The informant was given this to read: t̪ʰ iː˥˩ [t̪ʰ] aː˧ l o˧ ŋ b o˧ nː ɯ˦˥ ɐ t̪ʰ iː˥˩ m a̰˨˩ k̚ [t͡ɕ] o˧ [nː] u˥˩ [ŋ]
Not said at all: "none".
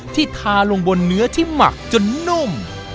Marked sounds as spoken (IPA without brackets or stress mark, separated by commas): t̪ʰ, t͡ɕ, nː, m